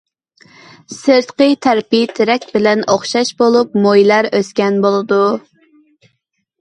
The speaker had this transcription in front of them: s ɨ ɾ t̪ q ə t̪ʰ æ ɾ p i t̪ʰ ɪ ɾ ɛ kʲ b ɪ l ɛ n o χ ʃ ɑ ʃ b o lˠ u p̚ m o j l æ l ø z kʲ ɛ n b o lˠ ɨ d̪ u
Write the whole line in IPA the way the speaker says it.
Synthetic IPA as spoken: s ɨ ɾ t̪ q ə t̪ʰ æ ɾ p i t̪ʰ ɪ ɾ ɛ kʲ b ɪ l ɛ n o χ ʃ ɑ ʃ b o lˠ u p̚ m o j l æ ɾ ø s kʲ ɛ n b o lˠ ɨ d̪ u